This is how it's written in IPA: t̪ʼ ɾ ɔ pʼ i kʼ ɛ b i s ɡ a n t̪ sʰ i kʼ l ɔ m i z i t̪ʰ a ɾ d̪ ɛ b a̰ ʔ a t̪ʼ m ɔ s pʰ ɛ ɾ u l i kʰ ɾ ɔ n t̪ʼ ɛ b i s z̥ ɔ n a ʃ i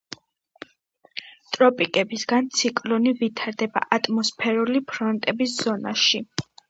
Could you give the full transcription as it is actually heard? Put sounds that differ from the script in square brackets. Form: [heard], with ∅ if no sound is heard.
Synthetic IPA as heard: t̪ʼ ɾ ɔ pʼ i kʼ ɛ b i s ɡ a n t̪ sʰ i kʼ l ɔ [n] i [v] i t̪ʰ a ɾ d̪ ɛ b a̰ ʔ a t̪ʼ m ɔ s pʰ ɛ ɾ u l i [pʰ] ɾ ɔ n t̪ʼ ɛ b i s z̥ ɔ n a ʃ i